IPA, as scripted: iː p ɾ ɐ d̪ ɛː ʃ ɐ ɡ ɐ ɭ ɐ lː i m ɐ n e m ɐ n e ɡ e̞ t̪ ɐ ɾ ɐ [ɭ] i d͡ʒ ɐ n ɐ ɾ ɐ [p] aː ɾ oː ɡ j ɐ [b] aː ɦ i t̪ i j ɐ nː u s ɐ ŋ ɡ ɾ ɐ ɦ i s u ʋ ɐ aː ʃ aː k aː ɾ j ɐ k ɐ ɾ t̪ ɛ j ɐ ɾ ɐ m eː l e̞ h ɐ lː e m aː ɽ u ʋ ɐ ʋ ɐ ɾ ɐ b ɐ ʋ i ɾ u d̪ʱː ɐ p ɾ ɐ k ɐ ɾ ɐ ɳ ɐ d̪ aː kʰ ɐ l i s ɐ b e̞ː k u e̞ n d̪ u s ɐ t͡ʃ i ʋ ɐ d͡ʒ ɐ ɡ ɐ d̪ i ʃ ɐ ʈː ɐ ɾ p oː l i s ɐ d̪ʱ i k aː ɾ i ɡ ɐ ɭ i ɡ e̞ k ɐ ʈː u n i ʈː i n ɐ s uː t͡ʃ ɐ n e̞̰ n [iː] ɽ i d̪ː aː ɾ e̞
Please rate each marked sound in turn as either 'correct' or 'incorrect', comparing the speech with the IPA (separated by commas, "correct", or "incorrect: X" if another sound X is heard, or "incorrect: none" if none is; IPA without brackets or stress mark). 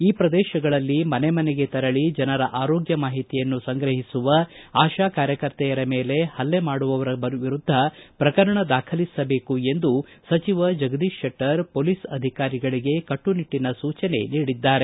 correct, incorrect: ʔ, incorrect: m, correct